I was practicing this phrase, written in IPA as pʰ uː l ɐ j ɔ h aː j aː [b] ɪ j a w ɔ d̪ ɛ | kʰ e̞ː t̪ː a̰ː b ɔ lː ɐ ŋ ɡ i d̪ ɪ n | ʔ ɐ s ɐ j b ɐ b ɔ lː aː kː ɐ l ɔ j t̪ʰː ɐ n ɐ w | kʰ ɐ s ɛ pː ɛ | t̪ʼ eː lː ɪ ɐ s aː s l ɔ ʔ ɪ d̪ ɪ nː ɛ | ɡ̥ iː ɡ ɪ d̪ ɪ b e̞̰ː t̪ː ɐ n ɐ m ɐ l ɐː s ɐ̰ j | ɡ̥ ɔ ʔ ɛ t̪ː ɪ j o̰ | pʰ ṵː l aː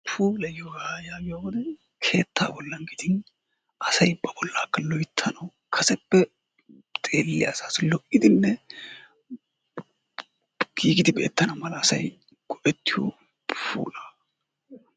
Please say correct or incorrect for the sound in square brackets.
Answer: incorrect